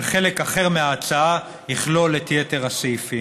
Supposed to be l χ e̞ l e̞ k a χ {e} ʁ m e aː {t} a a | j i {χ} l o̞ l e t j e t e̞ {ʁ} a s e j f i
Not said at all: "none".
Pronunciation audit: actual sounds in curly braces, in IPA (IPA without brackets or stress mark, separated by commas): e, t͡s, χ, ʁ